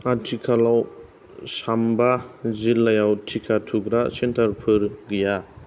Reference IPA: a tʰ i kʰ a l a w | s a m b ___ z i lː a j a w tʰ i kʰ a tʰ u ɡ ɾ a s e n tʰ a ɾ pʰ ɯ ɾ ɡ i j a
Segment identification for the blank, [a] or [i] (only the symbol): a